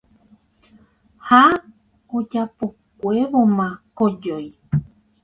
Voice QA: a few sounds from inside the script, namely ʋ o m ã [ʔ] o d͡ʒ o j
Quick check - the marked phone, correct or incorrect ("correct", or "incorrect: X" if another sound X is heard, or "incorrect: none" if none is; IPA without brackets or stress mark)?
incorrect: k